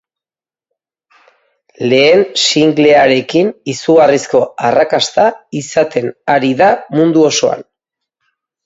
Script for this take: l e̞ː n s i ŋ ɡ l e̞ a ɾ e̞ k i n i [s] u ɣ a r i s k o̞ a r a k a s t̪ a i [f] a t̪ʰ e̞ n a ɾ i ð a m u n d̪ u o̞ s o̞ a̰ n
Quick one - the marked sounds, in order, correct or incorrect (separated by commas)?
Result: correct, incorrect